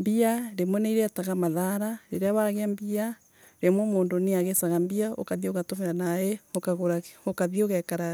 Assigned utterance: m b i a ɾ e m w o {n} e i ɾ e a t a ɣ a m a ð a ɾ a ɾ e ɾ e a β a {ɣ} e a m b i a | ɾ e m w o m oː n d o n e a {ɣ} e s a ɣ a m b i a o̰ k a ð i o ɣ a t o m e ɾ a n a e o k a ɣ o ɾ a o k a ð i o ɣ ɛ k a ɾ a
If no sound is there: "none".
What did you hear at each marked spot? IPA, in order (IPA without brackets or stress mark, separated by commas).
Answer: n, ɣ, ɣ